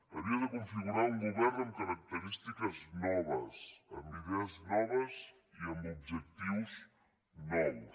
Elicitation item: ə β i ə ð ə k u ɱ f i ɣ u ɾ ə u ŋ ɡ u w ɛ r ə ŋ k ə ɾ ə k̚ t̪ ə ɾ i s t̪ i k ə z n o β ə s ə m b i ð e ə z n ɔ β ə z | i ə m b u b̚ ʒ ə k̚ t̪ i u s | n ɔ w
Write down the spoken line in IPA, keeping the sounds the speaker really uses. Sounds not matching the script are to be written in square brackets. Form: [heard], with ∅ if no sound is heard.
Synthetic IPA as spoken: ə β i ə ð ə k u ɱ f i ɣ u ɾ [a] u ŋ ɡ u [β] ɛ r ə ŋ k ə ɾ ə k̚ t̪ ə ɾ i s t̪ i k ə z n [ɔ] β ə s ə m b i ð e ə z n ɔ β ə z | i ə m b u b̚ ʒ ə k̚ t̪ i [w] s | n ɔ w